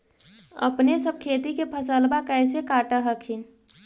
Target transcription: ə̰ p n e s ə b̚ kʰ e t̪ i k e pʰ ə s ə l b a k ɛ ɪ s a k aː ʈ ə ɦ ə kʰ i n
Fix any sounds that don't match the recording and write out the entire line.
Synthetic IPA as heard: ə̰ p n e s ə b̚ kʰ e t̪ i k e pʰ ə s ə l b a k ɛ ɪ s e k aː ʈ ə ɦ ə kʰ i n